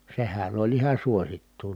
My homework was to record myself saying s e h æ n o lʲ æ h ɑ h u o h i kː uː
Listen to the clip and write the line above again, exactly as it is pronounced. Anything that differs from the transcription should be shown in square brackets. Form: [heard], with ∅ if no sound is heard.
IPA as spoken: s e h æ n o lʲ [i] h ɑ [s] u o [s] i [tː] uː